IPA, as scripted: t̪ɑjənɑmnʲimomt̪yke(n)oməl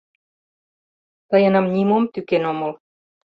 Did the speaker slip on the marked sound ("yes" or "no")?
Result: no